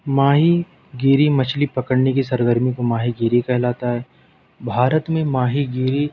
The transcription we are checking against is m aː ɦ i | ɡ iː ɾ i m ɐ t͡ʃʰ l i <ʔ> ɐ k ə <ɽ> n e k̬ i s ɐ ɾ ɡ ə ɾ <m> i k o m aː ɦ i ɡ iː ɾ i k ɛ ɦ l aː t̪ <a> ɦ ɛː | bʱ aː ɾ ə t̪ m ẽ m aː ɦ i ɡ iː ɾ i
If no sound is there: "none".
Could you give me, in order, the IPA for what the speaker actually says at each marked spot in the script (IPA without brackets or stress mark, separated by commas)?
p, ɽ, m, a